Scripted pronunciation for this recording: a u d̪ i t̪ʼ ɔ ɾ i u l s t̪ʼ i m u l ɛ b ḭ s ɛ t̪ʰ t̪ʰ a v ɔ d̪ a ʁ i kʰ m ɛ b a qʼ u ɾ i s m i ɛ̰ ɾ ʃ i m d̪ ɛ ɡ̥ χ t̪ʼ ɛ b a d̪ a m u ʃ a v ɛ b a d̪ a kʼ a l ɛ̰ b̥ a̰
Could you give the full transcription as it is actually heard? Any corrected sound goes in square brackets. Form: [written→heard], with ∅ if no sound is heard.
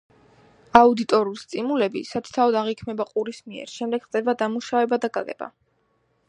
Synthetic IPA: a u d̪ i t̪ʼ ɔ ɾ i u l s t̪ʼ i m u l ɛ b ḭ s [ɛ→a] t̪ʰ t̪ʰ a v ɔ d̪ a ʁ i kʰ m ɛ b a qʼ u ɾ i s m i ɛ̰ ɾ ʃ [i→ɛ] m d̪ ɛ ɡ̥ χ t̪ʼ ɛ b a d̪ a m u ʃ a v ɛ b a d̪ a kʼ a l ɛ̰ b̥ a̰